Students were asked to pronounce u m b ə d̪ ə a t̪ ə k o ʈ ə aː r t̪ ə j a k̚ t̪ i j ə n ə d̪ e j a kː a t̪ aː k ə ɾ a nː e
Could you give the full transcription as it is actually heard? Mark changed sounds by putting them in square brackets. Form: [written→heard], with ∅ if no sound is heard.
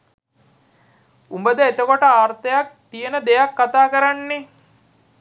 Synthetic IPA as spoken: u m b ə d̪ ə [a→e] t̪ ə k o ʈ ə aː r t̪ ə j a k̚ t̪ i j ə n ə d̪ e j a kː a t̪ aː k ə ɾ a nː e